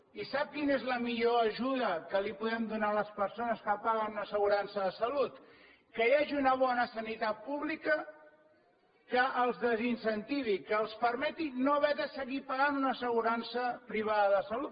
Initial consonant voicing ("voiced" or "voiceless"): voiceless